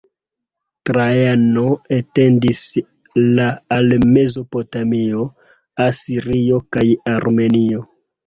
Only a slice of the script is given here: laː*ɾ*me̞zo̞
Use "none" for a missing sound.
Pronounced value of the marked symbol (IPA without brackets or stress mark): l